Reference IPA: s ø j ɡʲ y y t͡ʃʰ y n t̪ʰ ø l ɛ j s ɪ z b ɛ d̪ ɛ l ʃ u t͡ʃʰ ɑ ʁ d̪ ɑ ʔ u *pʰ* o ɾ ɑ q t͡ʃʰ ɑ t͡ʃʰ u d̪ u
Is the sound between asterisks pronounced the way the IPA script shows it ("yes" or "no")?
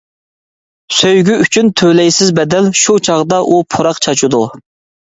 yes